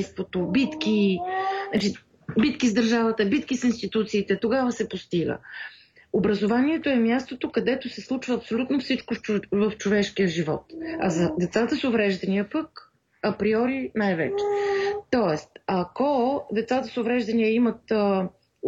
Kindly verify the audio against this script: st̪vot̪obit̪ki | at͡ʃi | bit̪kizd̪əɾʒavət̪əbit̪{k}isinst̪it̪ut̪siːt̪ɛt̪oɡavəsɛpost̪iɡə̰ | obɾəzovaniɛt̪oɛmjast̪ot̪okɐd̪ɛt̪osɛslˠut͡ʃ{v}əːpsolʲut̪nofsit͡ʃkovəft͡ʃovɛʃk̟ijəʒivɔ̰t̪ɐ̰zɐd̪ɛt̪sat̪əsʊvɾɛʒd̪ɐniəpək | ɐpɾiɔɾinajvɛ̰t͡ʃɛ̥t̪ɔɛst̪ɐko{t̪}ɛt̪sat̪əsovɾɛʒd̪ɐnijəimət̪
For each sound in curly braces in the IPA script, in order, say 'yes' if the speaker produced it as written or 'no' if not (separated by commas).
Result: yes, yes, no